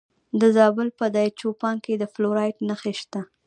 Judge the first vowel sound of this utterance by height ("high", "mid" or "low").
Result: mid